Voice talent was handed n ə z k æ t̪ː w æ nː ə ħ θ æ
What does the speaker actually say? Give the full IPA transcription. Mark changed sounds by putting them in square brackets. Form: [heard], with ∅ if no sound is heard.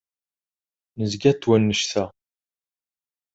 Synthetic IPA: n ə z [ɡ] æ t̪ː w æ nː ə [ʃ] θ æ